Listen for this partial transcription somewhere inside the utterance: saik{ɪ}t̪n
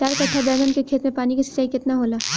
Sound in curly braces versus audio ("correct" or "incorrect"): correct